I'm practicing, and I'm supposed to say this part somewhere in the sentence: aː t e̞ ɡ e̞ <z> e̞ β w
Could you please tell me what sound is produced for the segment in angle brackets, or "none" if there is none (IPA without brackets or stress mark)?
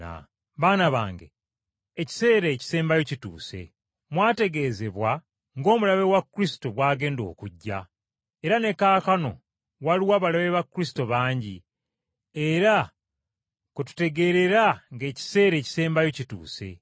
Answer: z